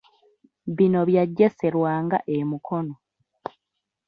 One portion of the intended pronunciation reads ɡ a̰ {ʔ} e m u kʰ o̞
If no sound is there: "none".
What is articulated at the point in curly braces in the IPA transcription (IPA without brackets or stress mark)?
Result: ʔ